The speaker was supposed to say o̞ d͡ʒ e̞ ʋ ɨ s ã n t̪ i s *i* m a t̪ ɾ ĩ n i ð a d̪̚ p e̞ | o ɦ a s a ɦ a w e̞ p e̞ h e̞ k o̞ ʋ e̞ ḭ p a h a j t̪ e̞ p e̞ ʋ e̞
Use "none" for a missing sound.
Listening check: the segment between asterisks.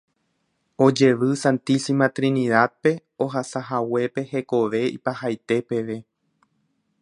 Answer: i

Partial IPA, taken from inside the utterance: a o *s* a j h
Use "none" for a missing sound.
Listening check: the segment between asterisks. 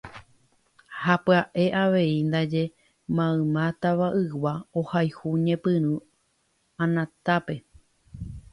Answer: h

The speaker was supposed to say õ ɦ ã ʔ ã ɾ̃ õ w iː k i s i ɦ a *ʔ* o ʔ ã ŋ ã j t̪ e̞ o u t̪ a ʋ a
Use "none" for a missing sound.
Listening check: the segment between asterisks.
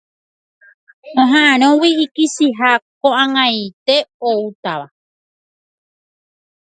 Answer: k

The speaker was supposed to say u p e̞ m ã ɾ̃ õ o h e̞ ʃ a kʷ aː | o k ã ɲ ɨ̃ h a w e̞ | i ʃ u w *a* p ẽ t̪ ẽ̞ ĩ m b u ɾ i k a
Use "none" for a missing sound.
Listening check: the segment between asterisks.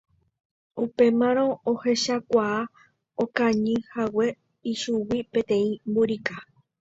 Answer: i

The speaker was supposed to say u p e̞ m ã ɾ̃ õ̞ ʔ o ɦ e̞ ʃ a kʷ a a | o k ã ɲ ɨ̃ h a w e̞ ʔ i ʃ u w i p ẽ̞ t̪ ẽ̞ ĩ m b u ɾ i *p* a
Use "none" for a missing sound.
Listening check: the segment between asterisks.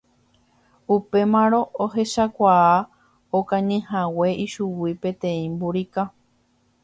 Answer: k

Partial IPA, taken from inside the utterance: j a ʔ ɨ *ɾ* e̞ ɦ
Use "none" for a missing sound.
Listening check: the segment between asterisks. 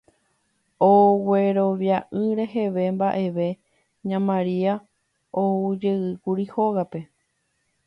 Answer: ɾ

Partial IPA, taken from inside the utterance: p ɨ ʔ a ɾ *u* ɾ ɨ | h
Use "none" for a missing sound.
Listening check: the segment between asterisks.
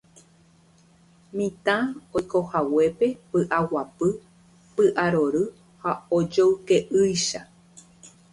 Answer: o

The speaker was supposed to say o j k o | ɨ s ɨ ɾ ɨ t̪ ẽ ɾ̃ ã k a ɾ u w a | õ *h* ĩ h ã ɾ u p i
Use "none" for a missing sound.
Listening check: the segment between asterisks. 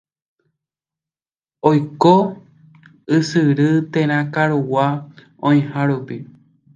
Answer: none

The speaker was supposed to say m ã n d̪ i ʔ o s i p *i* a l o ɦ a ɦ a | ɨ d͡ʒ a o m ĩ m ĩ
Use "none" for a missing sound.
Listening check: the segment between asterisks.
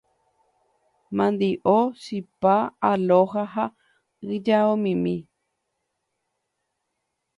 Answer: a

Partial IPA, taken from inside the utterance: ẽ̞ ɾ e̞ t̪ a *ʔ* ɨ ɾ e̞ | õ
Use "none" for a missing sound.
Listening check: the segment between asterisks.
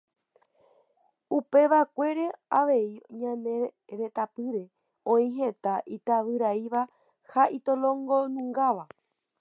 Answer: p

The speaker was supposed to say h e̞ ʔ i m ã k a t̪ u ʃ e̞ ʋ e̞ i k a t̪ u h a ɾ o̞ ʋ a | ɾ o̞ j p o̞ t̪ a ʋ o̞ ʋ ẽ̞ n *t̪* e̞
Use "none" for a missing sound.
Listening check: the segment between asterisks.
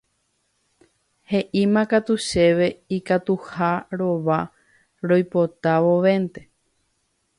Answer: t̪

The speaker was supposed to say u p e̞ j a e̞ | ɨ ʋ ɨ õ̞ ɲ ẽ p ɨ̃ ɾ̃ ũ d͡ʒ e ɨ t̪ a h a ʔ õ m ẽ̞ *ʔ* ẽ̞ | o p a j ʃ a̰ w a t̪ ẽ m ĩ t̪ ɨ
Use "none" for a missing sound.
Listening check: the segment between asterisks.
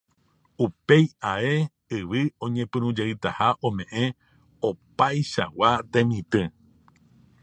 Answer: ʔ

